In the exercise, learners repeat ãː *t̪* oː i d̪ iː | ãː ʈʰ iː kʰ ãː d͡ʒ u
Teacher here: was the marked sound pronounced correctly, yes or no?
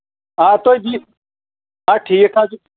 yes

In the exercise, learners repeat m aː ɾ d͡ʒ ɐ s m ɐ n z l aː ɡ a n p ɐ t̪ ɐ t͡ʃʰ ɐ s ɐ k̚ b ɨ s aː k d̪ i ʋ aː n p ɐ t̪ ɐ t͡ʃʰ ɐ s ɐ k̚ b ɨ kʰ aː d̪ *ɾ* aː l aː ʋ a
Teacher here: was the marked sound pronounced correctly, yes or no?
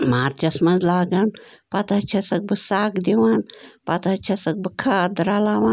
yes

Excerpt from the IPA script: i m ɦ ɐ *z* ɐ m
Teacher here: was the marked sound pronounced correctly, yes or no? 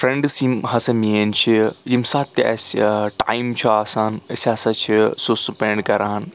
no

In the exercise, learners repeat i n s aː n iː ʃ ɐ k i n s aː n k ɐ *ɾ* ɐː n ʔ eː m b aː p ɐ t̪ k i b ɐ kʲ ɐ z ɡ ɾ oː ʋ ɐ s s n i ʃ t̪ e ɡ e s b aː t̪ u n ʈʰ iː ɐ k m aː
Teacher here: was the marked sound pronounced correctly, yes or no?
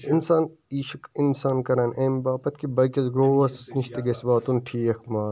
yes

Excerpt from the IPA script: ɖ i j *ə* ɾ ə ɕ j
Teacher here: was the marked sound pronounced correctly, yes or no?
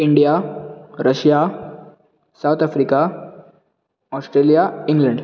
no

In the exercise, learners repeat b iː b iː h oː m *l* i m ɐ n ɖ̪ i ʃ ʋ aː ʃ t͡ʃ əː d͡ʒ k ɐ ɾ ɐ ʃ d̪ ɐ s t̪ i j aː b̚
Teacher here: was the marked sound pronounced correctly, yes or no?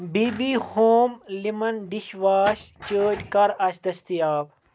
yes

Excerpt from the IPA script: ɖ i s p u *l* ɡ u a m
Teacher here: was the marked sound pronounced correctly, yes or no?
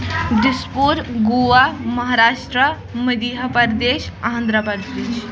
no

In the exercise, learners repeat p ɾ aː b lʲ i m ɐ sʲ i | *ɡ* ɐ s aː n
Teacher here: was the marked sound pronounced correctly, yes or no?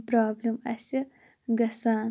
yes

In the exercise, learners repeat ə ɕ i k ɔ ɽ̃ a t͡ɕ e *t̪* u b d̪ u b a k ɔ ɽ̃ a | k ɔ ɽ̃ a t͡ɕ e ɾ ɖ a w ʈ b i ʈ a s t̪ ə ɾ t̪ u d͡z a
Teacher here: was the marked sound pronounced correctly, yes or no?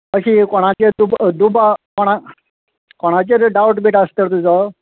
no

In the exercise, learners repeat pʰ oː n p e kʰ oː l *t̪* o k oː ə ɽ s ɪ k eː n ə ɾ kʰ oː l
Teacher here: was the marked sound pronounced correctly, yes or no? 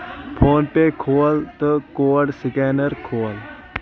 yes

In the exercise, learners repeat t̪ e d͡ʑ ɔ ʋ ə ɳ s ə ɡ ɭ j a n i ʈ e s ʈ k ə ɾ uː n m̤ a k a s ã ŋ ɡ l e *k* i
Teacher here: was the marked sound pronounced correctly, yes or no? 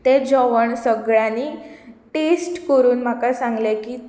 yes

